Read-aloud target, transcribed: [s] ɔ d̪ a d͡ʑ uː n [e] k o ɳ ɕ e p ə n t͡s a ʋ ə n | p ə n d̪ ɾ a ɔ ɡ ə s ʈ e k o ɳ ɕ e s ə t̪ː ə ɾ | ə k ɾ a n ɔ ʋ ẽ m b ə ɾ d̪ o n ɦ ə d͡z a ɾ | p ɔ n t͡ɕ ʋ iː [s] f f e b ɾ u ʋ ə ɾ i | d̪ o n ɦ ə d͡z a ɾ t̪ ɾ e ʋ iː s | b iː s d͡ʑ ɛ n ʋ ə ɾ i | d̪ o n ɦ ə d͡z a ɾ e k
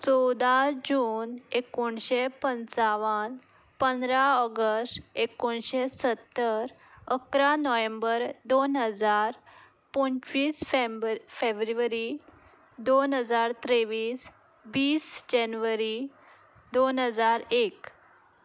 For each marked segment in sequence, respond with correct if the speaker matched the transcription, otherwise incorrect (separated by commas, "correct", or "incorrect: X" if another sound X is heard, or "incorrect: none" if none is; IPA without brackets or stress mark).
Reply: incorrect: t͡s, correct, correct